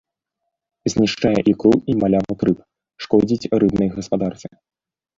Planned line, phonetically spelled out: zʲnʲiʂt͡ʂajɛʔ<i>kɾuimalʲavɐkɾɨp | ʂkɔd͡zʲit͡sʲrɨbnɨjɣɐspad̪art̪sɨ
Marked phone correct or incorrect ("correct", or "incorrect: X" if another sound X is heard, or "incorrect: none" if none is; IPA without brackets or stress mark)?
correct